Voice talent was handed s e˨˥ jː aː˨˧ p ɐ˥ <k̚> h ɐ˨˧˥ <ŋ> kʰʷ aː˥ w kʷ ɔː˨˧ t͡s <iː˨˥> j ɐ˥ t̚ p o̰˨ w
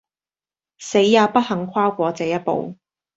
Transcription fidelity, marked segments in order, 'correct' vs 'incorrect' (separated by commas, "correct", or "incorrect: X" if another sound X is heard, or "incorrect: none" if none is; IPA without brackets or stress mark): incorrect: t̚, correct, incorrect: ɛː˨˥